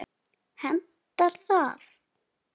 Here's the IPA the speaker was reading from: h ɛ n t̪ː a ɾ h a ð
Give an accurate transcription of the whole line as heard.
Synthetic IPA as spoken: h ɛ n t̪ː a ɾ θ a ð

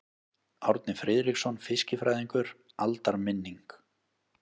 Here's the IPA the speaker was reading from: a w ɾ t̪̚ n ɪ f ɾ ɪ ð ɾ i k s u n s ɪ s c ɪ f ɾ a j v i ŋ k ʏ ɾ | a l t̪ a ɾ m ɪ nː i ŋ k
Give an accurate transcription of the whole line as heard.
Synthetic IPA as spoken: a w ɾ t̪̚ n ɪ f ɾ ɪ ð ɾ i k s ɔ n f ɪ s c ɪ f ɾ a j ð i ŋ k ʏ ɾ | a l t̪ a ɾ m ɪ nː i ŋ k

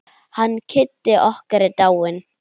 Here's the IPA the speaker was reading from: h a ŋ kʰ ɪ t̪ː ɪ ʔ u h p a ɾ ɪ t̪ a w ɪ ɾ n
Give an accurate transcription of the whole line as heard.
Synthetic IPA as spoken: h a n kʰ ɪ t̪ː ɪ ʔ ɔ h k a ɾ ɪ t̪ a w ɪ n

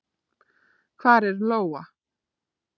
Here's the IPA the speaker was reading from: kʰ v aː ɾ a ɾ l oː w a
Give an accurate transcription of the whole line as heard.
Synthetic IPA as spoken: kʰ v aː ɾ ɛ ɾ l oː w a

